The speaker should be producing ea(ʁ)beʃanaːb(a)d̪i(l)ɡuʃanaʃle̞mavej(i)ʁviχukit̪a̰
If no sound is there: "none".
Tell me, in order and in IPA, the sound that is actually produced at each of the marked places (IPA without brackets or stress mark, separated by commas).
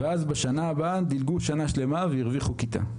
z, a, l, i